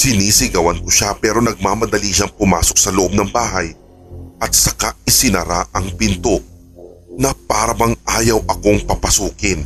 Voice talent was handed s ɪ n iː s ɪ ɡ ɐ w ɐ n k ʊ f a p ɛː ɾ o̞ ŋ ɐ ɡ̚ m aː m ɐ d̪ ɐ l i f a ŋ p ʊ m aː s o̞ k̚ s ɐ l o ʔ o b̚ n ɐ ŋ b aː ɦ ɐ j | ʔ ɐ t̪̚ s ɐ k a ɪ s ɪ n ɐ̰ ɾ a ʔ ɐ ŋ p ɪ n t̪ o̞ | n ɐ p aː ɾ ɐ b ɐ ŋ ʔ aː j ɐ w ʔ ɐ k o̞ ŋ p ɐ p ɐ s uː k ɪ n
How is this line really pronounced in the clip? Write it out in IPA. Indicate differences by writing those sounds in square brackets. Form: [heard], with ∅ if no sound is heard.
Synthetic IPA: s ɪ n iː s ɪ ɡ ɐ w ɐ n k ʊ [ʃ] a p ɛː ɾ o̞ [n] ɐ ɡ̚ m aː m ɐ d̪ ɐ l i [ʃ] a ŋ p ʊ m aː s o̞ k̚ s ɐ l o ʔ o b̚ n ɐ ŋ b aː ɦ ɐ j | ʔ ɐ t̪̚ s ɐ k a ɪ s ɪ n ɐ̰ ɾ a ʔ ɐ ŋ p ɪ n t̪ o̞ | n ɐ p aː ɾ ɐ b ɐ ŋ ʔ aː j ɐ w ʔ ɐ k o̞ ŋ p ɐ p ɐ s uː k ɪ n